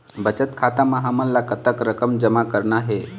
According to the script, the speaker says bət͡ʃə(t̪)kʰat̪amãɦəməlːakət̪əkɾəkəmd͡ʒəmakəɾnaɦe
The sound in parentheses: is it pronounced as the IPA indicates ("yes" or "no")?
yes